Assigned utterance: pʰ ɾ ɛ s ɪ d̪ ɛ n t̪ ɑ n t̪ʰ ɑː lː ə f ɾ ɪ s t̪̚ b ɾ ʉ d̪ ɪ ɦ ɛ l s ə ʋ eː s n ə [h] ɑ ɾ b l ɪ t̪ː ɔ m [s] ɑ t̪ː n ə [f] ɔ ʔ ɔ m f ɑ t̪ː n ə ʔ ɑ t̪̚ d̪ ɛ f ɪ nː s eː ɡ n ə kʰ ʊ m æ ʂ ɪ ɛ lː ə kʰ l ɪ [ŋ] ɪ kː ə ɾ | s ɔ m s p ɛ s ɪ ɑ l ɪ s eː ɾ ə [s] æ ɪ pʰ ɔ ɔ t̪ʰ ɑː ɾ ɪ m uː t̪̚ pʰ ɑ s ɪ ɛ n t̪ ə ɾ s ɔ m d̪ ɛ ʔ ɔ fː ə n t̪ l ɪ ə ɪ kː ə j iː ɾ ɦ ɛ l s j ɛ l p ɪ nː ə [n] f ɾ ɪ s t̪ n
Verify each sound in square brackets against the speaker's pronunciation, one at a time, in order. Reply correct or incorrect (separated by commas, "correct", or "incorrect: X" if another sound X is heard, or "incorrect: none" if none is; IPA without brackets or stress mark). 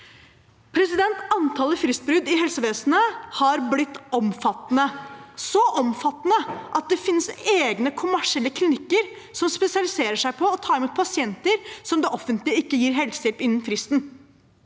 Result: correct, incorrect: f, incorrect: s, incorrect: n, incorrect: ʂ, correct